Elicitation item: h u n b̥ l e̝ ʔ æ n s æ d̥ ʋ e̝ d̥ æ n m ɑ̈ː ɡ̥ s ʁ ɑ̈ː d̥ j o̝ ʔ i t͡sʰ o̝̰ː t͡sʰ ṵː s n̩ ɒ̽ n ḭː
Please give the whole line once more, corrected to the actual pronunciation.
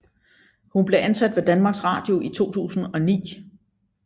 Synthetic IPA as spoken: h u n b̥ l e̝ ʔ æ n s æ d̥ ʋ e̝ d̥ æ n m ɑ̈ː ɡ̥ s ʁ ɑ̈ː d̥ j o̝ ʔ i t͡sʰ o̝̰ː t͡sʰ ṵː s n̩ ɒ̽ n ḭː